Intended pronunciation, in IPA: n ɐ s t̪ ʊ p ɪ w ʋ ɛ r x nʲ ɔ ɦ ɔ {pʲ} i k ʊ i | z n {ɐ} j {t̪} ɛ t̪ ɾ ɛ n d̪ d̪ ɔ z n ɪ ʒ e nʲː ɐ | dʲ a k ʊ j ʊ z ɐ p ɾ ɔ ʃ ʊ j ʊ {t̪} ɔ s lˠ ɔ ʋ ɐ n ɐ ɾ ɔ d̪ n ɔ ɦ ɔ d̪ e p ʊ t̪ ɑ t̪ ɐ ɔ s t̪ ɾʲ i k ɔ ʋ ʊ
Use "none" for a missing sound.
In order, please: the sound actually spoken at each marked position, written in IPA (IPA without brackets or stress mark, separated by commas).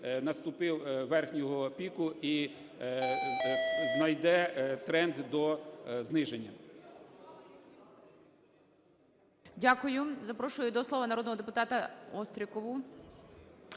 pʲ, ɐ, d̪, d̪